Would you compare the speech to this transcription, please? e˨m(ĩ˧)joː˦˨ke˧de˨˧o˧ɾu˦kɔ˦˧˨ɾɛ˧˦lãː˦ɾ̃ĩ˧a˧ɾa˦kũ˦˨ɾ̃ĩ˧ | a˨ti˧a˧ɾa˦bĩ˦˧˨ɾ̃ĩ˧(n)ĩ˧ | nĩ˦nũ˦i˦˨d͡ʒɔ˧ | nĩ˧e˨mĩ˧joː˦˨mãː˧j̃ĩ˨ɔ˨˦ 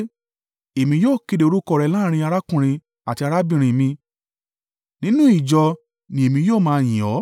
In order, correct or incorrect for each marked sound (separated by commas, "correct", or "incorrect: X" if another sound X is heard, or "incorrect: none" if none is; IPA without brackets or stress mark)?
correct, incorrect: m